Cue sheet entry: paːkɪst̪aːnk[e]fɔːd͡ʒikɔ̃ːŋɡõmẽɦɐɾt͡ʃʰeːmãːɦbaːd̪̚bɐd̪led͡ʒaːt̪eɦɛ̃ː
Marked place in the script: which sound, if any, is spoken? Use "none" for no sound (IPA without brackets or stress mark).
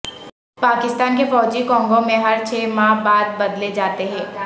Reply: e